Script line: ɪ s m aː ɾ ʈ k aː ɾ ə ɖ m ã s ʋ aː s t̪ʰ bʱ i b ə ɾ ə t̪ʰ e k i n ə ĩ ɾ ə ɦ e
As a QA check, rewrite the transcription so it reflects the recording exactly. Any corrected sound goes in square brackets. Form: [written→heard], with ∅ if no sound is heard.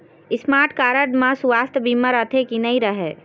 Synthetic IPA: ɪ s m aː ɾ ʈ k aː ɾ ə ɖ m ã s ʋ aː s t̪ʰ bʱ i [b→m] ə ɾ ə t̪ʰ e k i n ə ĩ ɾ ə ɦ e